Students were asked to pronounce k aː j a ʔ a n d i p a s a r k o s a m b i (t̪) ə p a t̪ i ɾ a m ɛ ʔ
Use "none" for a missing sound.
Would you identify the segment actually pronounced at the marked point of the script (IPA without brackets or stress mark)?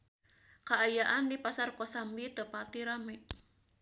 t̪